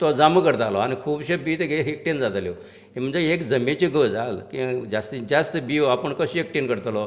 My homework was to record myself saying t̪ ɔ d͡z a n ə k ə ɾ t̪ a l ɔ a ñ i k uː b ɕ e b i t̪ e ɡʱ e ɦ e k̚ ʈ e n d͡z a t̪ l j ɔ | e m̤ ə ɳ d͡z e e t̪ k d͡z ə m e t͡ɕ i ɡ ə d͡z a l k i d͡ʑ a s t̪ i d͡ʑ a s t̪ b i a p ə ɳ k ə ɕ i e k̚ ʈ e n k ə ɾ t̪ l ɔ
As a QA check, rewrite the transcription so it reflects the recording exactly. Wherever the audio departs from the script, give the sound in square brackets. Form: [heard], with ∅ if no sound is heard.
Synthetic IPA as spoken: t̪ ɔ d͡z a [m] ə k ə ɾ t̪ a l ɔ a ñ i [kʰ] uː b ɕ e b i t̪ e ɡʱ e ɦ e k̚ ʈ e n d͡z a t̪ l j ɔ | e m̤ ə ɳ d͡z e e [∅] k d͡z ə m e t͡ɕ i ɡ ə d͡z a l k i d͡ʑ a s t̪ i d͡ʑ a s t̪ b i a p ə ɳ k ə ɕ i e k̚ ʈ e n k ə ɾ t̪ l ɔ